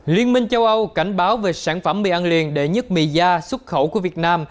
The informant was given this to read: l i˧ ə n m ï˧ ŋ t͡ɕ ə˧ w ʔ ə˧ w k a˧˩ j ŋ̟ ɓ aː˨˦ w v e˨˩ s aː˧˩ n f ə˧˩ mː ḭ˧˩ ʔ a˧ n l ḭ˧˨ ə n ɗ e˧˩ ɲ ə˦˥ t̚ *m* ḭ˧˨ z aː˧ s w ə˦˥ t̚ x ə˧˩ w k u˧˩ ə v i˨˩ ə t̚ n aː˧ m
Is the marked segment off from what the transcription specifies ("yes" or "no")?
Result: no